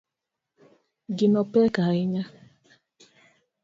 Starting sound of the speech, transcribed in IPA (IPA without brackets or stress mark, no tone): ɡ